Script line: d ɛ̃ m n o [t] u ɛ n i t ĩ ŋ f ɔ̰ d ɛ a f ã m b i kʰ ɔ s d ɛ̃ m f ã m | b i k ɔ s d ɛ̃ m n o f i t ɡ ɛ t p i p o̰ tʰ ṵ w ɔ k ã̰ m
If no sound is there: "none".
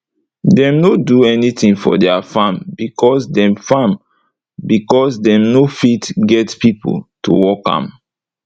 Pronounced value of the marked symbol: d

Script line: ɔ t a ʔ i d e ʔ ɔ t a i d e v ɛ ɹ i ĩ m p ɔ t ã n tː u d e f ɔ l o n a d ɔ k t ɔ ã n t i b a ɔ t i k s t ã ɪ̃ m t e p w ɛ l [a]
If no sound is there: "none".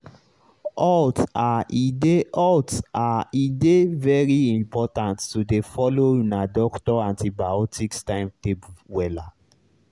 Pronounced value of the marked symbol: a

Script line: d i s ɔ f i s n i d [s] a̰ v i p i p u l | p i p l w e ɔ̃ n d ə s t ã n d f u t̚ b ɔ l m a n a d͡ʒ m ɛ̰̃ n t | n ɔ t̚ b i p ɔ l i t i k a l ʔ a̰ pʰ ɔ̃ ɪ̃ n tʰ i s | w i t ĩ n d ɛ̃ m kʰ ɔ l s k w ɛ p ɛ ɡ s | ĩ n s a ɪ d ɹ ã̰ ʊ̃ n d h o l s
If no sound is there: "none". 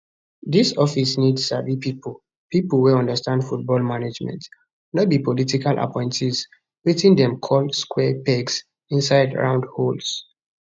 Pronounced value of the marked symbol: s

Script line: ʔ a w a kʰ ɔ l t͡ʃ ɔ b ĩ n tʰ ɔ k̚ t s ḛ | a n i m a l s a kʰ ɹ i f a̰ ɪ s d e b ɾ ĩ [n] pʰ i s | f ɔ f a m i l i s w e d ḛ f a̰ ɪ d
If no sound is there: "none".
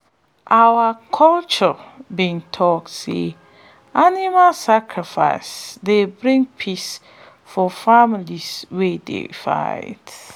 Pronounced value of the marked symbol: ŋ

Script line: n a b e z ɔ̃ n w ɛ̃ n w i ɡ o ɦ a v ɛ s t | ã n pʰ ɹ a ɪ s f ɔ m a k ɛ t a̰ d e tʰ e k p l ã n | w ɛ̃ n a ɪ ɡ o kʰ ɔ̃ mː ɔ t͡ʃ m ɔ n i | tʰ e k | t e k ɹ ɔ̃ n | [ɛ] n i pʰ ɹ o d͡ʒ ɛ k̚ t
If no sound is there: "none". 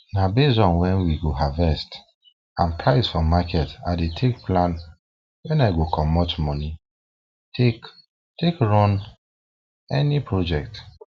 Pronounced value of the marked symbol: ɛ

